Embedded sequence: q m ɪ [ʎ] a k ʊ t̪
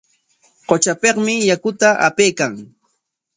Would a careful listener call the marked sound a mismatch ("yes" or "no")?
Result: yes